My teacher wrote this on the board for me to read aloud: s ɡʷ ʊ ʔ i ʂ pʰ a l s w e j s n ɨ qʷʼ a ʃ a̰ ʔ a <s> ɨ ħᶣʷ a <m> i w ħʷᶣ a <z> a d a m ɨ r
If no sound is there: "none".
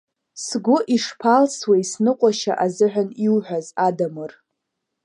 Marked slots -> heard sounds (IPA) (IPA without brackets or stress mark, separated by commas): z, n, z